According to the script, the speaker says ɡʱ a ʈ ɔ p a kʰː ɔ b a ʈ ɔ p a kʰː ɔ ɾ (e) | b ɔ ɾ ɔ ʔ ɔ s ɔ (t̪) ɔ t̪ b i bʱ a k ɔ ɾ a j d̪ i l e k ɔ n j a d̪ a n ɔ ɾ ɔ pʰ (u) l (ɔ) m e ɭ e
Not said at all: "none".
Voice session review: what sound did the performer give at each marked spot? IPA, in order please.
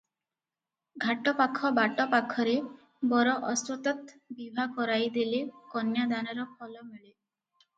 e, t̪, ɔ, ɔ

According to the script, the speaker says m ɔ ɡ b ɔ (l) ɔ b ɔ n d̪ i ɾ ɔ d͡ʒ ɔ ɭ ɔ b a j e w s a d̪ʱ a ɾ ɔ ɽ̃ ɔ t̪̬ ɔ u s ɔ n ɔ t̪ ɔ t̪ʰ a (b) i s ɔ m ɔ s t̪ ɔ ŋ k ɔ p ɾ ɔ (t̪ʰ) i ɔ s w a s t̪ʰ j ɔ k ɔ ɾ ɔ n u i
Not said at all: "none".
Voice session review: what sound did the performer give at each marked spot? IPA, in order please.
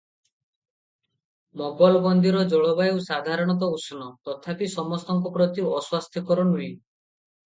l, p, t̪

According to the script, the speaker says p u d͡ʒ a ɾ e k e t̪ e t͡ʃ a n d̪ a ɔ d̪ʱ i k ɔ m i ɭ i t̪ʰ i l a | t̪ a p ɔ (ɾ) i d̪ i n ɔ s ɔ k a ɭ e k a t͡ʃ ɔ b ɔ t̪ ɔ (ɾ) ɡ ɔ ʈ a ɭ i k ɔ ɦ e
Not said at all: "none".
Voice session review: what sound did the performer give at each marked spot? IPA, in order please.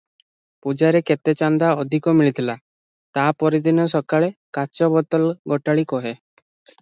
ɾ, l

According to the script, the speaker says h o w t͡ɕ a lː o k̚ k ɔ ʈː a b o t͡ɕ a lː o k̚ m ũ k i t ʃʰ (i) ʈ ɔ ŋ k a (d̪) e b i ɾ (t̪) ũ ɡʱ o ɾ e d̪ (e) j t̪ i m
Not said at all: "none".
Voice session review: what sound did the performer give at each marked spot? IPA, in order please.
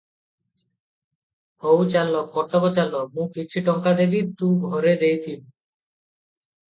i, d̪, t̪, e

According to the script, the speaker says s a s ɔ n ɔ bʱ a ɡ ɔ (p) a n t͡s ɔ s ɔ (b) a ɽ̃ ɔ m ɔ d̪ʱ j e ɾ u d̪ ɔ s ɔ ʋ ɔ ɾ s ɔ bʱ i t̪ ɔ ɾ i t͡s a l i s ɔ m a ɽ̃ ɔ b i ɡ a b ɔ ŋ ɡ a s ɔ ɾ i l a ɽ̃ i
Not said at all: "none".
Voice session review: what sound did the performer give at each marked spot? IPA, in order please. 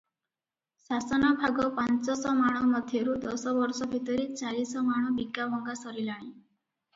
p, m

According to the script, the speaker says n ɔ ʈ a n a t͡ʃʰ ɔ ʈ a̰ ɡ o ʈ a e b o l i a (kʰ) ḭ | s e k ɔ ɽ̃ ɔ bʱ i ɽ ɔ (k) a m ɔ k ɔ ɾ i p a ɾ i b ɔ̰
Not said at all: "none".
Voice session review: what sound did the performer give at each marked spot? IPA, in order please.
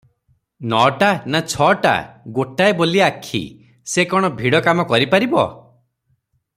kʰ, k

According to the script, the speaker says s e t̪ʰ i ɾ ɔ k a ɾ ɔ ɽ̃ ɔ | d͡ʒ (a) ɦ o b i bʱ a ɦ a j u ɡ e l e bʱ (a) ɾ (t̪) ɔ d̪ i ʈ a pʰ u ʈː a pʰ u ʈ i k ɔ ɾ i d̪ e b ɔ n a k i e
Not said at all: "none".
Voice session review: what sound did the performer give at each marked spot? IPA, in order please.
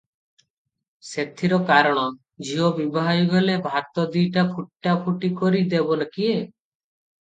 i, a, t̪

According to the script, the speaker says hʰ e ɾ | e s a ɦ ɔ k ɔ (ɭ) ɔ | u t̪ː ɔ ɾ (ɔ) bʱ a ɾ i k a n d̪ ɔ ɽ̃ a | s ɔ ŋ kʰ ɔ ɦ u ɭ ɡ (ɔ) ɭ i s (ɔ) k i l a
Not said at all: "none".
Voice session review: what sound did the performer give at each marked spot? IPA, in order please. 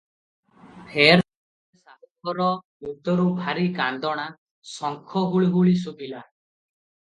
ɾ, u, u, u

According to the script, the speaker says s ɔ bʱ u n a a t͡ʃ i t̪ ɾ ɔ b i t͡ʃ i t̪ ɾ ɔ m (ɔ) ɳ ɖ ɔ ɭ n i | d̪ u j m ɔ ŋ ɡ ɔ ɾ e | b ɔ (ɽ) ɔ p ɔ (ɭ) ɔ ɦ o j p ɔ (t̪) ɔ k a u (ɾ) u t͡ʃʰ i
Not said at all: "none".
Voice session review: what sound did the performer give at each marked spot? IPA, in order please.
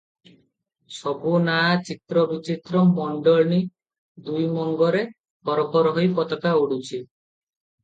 ɔ, ɾ, ɾ, t̪, ɽ

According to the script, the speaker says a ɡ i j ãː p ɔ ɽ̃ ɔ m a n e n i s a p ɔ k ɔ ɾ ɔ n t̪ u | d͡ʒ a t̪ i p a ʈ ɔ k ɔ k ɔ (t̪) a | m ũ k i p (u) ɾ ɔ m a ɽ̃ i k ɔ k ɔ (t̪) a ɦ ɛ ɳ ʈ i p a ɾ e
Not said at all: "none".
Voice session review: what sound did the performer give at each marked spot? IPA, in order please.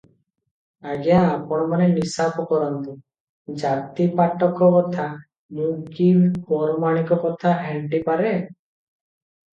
t̪ʰ, ɔ, t̪ʰ

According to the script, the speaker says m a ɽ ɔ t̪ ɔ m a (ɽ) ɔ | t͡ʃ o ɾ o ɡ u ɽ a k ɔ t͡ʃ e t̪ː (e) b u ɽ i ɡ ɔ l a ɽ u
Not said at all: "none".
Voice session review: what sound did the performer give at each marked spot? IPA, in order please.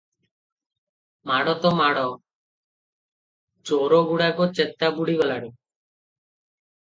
ɽ, a

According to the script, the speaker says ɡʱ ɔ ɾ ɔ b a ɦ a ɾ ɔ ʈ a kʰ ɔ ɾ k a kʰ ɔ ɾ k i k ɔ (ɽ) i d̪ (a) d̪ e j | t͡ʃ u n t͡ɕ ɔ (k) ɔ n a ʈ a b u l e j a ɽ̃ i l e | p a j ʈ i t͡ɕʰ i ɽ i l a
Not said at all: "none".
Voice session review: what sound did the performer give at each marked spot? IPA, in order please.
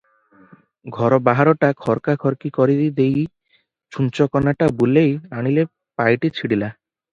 ɾ, i, k

